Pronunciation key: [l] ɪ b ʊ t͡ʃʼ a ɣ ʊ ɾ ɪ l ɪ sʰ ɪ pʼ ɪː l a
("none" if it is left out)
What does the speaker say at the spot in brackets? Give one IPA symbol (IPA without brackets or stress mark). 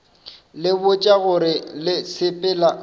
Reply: l